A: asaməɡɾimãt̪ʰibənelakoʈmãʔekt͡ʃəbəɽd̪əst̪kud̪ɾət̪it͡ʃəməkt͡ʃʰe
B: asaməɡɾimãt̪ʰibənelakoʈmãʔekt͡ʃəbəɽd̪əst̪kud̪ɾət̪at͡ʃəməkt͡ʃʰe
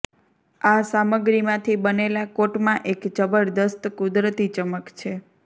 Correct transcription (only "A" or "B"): A